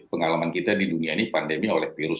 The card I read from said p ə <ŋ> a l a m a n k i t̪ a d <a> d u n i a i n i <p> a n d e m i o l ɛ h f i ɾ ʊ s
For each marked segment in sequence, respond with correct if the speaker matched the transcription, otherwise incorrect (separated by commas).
correct, incorrect, correct